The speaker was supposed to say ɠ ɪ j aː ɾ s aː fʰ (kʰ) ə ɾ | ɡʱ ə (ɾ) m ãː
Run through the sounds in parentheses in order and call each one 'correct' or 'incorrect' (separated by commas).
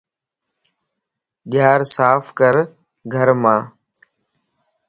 incorrect, correct